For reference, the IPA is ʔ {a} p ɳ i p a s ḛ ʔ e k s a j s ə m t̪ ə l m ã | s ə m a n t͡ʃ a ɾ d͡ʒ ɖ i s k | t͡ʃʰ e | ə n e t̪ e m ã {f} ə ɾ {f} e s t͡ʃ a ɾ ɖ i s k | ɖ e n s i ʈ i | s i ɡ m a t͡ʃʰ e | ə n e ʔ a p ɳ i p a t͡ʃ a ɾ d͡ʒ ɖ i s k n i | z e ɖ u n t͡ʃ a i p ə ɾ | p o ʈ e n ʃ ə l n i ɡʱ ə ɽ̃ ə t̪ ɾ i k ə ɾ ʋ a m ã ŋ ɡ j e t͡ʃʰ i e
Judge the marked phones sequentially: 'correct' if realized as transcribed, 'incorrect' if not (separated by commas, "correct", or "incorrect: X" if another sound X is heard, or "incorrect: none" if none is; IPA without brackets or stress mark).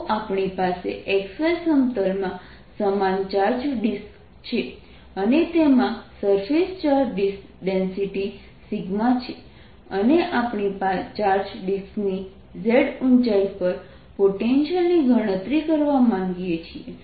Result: correct, incorrect: s, correct